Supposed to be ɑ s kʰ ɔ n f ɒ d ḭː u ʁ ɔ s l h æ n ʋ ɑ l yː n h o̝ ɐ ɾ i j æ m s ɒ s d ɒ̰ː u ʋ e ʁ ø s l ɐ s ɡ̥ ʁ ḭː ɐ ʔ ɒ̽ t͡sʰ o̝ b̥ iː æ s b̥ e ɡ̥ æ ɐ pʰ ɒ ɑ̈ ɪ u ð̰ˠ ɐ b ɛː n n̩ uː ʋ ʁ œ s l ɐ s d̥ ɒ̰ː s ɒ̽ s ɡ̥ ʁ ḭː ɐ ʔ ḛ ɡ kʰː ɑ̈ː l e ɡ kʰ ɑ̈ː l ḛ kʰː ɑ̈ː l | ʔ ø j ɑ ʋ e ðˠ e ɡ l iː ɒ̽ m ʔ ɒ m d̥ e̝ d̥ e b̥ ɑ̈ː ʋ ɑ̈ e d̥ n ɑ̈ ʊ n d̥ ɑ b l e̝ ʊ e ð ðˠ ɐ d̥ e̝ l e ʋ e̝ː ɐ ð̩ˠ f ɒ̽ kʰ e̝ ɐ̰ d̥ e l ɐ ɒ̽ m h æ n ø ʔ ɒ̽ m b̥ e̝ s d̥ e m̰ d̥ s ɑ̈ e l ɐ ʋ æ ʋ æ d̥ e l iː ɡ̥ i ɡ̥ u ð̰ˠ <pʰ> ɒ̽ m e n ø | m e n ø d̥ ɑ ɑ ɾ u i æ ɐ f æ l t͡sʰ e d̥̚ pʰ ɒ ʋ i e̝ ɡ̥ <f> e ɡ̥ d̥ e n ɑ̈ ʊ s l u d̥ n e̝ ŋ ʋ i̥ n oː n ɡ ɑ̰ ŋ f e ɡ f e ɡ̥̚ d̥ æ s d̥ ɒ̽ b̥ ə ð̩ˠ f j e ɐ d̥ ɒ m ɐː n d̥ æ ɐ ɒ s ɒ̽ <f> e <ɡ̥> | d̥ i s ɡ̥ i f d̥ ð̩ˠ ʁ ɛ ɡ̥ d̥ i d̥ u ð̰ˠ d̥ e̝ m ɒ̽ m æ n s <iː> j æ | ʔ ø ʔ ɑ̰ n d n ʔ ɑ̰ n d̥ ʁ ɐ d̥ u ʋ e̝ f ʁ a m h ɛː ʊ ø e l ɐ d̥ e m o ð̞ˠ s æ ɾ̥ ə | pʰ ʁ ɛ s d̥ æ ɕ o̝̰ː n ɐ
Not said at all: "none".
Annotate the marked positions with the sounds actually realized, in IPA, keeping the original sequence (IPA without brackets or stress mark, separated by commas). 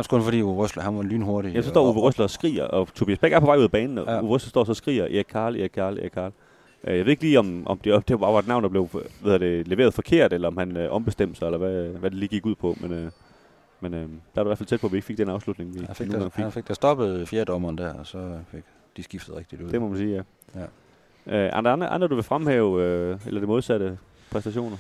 pʰ, f, f, ɡ̥, iː